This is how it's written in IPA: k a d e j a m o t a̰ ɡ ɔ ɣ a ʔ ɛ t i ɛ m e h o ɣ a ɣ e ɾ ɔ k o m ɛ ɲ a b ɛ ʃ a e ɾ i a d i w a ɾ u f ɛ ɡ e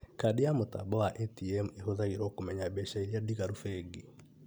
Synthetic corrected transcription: k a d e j a m o t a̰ b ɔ w a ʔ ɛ t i ɛ m e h o ð a ɣ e ɾ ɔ k o m ɛ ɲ a b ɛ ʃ a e ɾ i a d i ɣ a ɾ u f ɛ ɡ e